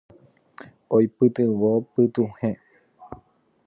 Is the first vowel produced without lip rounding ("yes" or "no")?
no